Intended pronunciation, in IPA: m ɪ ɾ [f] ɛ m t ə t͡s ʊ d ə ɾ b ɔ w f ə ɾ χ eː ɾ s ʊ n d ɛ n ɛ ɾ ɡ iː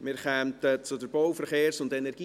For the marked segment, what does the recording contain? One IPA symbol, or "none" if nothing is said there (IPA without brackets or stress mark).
χ